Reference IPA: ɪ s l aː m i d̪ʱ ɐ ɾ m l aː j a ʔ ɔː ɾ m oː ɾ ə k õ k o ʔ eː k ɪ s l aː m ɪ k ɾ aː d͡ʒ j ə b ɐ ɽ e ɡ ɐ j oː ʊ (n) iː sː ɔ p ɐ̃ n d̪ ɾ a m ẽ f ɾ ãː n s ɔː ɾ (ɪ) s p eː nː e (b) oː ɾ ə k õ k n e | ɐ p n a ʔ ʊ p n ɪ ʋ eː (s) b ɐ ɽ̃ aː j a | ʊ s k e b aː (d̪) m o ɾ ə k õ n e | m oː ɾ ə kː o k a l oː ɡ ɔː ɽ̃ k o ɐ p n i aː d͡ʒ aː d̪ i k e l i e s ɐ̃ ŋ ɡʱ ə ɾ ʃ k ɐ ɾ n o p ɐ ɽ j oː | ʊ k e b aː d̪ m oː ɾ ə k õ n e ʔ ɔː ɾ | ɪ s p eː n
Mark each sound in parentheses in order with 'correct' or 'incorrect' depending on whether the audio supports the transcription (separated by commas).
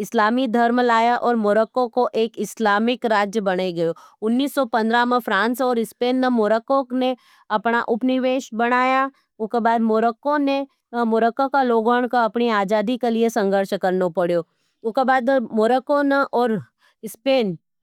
incorrect, correct, incorrect, incorrect, correct